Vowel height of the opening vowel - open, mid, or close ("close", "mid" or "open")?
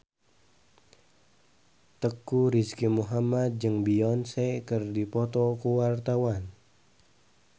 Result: mid